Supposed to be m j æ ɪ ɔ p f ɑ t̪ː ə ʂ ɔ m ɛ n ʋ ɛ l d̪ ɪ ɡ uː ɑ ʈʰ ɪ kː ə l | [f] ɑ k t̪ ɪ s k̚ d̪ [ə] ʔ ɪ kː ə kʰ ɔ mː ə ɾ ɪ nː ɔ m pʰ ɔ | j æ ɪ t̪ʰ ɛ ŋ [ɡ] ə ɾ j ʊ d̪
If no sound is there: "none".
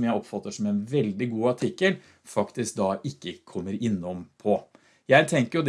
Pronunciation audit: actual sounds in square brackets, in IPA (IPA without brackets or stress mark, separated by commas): f, ɑ, k